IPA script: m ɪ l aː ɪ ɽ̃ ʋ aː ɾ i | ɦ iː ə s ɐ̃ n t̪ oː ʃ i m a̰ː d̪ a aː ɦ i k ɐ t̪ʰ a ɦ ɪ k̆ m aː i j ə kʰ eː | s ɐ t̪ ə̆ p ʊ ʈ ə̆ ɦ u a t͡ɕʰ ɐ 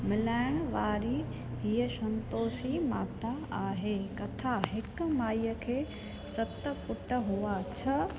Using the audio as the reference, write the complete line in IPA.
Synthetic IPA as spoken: m ɪ l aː ɪ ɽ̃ ʋ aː ɾ i | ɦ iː ə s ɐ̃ n t̪ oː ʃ i m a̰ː t̪ a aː ɦ e k ɐ t̪ʰ a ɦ ɪ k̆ m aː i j ə kʰ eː | s ɐ t̪ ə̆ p ʊ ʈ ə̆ ɦ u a t͡ɕʰ ɐ